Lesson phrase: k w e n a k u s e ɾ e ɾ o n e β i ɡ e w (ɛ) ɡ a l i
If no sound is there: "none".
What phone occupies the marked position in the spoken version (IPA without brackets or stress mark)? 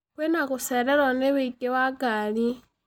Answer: a